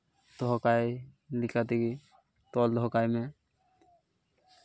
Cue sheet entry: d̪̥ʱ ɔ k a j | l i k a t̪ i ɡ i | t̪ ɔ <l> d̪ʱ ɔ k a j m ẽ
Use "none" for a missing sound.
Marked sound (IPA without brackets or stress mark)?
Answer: l